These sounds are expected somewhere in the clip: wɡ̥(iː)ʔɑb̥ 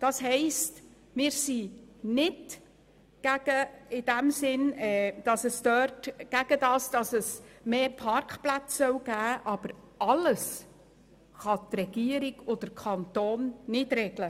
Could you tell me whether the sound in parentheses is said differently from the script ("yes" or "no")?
yes